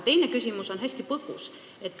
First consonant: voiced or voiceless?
voiceless